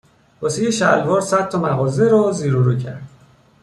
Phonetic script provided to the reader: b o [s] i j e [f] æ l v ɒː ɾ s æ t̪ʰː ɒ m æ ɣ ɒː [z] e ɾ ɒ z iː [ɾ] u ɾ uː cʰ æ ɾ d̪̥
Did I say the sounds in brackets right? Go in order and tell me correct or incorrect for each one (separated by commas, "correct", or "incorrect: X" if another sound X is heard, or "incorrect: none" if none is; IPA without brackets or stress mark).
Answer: correct, incorrect: ʃ, correct, correct